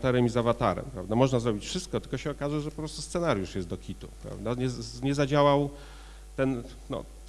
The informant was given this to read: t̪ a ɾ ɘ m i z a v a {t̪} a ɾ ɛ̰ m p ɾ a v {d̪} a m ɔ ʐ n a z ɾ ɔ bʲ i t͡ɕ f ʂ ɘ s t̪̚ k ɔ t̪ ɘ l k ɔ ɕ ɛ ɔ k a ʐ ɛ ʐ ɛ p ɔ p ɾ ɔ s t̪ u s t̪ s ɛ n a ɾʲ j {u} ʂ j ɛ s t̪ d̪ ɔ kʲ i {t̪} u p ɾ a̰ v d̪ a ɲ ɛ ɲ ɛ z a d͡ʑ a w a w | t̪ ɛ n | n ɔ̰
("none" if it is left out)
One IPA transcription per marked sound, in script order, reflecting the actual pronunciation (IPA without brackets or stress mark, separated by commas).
t̪, d̪, u, t̪